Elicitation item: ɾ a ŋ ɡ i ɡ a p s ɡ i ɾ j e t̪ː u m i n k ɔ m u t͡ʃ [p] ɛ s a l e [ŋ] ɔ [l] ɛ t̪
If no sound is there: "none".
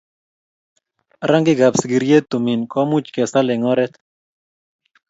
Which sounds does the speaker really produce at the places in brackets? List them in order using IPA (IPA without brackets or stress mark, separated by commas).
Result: k, ŋ, ɾ